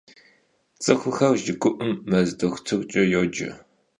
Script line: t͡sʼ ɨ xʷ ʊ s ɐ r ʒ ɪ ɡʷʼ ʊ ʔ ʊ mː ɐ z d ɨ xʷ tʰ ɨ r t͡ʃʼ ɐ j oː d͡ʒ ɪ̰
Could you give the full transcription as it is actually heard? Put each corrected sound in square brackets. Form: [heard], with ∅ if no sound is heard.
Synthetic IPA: t͡sʼ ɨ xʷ ʊ [x] ɐ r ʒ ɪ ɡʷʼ ʊ ʔ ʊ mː ɐ z d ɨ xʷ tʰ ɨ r t͡ʃʼ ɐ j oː d͡ʒ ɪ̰